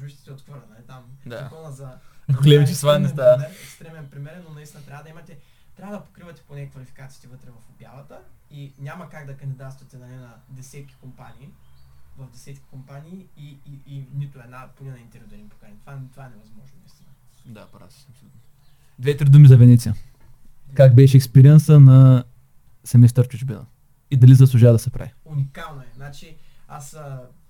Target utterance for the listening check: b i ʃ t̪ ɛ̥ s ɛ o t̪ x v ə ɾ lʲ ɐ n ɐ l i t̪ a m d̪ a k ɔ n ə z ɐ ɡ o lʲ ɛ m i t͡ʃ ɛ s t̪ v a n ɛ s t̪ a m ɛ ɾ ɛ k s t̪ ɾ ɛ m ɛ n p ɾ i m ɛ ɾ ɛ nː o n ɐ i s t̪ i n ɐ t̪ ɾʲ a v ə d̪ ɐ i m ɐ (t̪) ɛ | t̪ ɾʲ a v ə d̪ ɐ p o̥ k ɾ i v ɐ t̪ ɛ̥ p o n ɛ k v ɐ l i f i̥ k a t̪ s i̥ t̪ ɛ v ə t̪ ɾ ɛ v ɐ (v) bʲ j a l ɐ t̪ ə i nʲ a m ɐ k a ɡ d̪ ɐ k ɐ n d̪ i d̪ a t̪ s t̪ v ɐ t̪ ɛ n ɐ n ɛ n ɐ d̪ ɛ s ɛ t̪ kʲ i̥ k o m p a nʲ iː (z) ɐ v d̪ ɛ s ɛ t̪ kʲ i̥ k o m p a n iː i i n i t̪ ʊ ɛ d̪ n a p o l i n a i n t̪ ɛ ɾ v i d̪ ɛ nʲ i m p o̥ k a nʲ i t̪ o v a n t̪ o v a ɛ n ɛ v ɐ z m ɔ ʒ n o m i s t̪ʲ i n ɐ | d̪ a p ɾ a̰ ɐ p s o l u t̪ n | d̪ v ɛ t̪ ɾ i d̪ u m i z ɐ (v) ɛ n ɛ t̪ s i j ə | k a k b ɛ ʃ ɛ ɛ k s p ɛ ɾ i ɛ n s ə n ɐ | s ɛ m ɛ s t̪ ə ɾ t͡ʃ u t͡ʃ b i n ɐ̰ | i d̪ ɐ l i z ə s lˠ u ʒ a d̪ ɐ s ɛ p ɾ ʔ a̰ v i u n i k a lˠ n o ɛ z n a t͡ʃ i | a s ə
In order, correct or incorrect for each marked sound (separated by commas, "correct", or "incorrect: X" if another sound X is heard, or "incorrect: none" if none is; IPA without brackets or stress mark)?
correct, incorrect: f, incorrect: v, correct